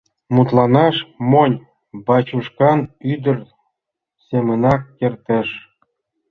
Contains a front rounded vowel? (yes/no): yes